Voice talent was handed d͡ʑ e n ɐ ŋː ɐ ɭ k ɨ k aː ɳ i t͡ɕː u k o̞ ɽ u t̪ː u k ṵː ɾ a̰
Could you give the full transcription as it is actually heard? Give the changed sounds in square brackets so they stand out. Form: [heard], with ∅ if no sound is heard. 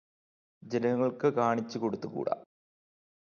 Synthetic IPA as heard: d͡ʑ e n ɐ ŋː ɐ ɭ k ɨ k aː ɳ i t͡ɕː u k o̞ ɽ u t̪ː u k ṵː [ɽ] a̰